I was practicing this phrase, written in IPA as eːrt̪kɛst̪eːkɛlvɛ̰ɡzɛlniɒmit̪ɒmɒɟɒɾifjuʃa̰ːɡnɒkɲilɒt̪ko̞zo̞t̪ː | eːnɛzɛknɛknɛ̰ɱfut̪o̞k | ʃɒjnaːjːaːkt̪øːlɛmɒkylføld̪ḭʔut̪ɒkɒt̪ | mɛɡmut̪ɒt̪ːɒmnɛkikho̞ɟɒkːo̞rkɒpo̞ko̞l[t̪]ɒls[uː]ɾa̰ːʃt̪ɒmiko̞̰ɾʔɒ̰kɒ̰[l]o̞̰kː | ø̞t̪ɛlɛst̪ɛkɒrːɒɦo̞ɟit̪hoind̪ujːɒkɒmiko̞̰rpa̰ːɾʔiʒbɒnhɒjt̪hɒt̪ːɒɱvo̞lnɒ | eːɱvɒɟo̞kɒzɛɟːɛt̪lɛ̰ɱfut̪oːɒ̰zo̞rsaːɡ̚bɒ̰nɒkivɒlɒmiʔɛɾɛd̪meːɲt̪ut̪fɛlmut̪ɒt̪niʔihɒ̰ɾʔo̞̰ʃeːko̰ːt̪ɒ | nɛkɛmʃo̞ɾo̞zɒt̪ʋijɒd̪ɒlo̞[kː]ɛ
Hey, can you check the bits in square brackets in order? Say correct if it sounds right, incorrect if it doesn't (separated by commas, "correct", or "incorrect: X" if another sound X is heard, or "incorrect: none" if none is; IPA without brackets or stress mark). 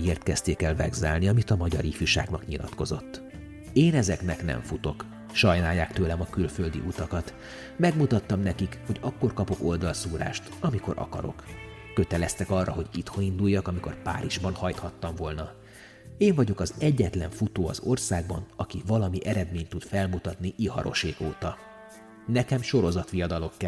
incorrect: d̪, correct, incorrect: ɾ, correct